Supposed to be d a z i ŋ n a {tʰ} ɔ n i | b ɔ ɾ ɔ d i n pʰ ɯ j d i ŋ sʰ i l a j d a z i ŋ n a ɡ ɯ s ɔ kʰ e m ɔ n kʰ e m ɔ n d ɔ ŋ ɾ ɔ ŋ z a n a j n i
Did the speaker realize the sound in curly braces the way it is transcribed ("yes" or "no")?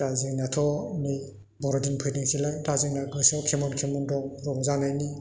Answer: yes